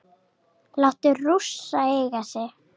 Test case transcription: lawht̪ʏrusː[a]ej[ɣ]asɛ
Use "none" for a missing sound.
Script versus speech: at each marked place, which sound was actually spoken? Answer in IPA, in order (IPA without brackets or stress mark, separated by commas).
a, ɣ